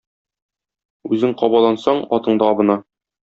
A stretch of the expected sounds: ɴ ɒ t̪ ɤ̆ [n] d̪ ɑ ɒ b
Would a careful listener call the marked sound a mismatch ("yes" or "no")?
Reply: yes